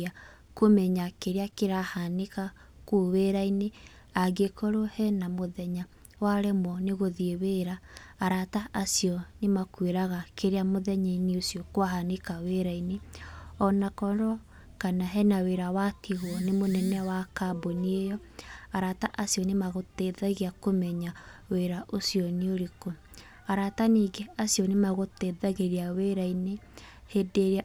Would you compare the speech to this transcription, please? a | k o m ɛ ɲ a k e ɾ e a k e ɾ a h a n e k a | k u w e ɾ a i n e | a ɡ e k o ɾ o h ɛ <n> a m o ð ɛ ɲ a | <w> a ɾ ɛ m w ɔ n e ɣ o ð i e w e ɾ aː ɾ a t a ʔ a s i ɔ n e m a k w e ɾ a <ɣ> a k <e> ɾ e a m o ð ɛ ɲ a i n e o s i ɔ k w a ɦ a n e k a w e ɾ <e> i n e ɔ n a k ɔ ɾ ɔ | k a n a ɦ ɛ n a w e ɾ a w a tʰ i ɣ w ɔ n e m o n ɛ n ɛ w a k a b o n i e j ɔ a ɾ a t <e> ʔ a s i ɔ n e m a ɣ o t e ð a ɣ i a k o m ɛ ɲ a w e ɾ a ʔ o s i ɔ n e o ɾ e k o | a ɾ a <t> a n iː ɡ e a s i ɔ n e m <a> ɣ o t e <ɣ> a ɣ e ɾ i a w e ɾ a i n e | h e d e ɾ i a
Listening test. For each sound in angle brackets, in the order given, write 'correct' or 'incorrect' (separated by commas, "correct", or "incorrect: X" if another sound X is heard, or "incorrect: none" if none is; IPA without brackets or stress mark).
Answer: correct, correct, correct, correct, incorrect: a, incorrect: a, correct, correct, incorrect: ð